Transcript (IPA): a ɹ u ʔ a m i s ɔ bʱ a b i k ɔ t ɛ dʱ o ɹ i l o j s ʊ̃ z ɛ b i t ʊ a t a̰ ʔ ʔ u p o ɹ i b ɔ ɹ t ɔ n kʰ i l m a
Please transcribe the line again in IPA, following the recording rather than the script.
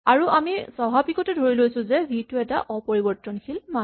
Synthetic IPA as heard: a ɹ u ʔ a m i s ɔ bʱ a b i k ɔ t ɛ dʱ o ɹ i l o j s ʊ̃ z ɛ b i t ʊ ɛ t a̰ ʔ ʔ ɔ p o ɹ i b ɔ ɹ t ɔ n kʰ i l m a